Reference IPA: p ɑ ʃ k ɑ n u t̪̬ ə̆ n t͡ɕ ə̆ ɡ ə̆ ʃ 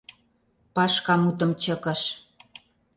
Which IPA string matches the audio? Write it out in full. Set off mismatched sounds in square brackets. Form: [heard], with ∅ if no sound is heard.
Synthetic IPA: p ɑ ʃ k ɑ [m] u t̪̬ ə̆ [m] t͡ɕ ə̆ [k] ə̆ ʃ